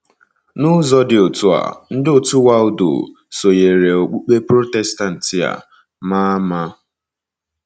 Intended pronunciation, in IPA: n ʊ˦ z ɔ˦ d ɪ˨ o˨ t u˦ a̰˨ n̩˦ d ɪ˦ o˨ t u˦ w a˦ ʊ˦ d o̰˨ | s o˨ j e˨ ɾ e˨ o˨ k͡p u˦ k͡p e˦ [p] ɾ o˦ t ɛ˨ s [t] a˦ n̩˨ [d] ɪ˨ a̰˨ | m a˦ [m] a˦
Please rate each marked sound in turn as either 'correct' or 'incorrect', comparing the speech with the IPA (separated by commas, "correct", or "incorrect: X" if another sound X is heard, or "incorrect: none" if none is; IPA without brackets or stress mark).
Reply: correct, correct, incorrect: t, correct